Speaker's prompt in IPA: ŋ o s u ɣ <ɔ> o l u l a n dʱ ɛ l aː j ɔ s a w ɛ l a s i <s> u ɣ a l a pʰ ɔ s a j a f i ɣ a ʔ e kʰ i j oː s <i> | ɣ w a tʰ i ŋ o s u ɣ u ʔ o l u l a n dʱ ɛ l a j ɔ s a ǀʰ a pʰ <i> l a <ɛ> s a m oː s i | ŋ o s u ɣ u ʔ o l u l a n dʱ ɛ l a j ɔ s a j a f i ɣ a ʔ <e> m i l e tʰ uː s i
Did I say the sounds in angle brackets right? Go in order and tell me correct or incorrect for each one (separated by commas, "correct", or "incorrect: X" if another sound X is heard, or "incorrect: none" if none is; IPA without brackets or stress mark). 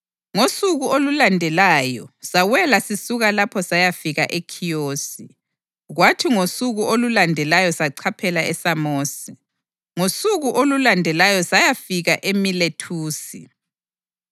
incorrect: u, correct, correct, incorrect: ɛ, correct, correct